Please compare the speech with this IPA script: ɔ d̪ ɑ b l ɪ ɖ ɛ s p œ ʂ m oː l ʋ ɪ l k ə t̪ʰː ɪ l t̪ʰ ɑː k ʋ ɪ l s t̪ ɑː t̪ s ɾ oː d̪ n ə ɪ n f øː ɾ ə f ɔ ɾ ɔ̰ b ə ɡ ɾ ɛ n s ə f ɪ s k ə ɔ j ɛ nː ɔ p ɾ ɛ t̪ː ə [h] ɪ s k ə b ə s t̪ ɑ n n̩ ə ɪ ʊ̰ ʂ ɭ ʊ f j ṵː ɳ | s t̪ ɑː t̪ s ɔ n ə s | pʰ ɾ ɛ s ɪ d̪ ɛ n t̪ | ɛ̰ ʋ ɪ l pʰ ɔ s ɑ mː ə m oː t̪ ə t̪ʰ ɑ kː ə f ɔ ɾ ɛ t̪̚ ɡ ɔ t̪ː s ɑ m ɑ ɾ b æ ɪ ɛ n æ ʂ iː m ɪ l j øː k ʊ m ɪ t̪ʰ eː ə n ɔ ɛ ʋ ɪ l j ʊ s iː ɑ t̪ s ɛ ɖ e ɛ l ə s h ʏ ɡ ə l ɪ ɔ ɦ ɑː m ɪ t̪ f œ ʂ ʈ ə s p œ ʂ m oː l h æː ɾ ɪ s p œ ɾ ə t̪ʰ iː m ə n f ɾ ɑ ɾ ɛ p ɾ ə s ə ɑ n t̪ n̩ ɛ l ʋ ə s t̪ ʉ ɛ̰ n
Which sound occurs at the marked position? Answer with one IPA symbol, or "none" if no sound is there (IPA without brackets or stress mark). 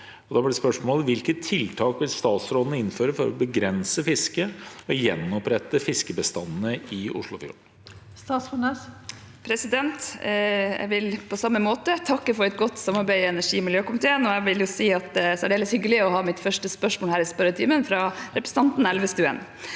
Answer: f